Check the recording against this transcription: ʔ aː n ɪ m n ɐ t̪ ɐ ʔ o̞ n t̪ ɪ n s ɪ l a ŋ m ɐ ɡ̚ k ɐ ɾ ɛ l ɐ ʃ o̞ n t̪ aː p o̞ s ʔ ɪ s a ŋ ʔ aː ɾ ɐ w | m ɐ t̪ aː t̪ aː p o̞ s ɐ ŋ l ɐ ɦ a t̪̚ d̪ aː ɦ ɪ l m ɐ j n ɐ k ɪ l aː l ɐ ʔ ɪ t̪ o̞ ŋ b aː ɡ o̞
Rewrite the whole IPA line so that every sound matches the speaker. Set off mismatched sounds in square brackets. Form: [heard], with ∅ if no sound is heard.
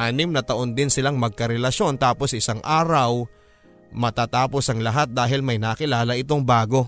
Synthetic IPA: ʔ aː n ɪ m n ɐ t̪ ɐ ʔ o̞ n [d̪] ɪ n s ɪ l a ŋ m ɐ ɡ̚ k ɐ ɾ ɛ l ɐ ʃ o̞ n t̪ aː p o̞ s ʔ ɪ s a ŋ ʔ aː ɾ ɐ w | m ɐ t̪ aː t̪ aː p o̞ s ɐ ŋ l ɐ ɦ a t̪̚ d̪ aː ɦ ɪ l m ɐ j n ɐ k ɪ l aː l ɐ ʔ ɪ t̪ o̞ ŋ b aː ɡ o̞